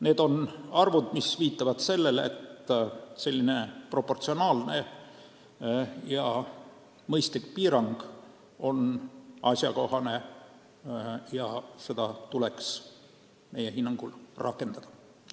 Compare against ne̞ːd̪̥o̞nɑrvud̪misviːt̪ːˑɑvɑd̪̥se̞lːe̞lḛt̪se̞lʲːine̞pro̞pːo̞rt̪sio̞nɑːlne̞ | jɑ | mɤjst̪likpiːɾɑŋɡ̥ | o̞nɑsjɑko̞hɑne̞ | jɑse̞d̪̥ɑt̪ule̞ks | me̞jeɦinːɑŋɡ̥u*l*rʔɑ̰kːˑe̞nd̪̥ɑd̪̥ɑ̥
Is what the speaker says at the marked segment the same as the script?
yes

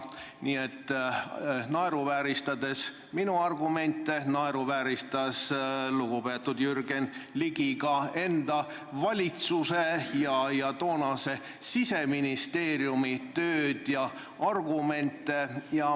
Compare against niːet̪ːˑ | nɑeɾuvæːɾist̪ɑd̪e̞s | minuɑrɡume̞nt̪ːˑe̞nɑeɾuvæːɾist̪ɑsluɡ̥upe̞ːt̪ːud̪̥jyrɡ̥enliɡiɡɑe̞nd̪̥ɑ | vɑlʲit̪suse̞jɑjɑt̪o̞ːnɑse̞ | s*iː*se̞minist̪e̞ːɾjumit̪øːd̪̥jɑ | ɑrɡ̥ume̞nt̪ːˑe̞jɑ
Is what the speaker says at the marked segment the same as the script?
no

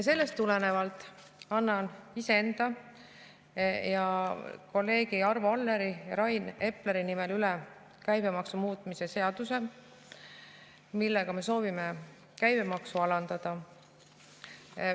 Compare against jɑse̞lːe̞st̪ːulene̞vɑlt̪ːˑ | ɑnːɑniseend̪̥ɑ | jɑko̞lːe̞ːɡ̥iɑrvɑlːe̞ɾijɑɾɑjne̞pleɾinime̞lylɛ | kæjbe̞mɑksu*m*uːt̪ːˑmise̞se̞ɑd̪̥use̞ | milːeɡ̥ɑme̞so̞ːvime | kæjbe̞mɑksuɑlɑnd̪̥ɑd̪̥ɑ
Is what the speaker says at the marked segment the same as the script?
yes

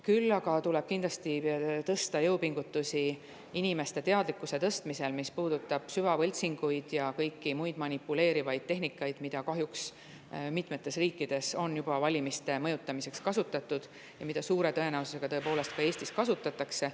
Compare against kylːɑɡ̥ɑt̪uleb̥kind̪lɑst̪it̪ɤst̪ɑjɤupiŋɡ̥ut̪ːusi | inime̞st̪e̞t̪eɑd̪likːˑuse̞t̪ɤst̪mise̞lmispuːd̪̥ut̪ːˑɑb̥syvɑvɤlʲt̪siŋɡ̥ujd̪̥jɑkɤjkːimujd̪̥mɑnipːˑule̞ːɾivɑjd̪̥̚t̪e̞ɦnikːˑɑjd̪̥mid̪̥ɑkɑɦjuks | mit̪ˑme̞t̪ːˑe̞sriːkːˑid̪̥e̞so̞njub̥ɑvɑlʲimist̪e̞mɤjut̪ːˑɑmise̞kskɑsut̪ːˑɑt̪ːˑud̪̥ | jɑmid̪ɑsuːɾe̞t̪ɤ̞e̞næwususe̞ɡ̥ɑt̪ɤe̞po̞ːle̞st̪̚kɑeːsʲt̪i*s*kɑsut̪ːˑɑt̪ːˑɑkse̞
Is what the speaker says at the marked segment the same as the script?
yes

